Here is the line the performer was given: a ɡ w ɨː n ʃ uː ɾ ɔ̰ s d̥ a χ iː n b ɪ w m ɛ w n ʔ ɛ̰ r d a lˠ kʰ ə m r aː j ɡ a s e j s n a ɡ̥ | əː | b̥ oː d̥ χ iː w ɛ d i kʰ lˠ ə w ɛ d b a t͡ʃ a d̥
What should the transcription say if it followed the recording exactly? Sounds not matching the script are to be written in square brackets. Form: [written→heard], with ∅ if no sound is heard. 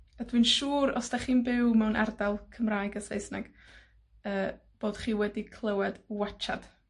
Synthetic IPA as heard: a [ɡ→d] w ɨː n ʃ uː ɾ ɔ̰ s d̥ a χ iː n b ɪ w m ɛ w n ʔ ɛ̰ r d a lˠ kʰ ə m r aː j ɡ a s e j s n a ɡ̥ | əː | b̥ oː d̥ χ iː w ɛ d i kʰ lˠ ə w ɛ d [b→w] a t͡ʃ a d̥